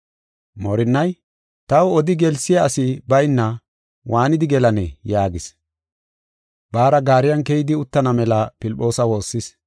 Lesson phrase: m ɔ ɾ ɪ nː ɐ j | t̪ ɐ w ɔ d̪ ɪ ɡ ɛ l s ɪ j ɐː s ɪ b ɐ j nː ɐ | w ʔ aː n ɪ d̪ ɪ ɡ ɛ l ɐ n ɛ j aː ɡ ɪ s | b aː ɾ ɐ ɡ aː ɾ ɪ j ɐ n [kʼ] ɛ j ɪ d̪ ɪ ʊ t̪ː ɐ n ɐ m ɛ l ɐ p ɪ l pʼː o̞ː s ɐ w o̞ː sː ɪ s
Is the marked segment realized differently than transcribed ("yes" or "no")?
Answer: yes